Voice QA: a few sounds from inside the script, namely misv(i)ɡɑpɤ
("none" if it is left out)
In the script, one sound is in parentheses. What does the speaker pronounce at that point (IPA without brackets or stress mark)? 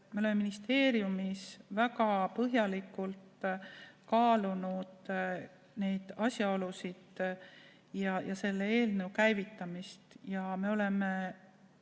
æ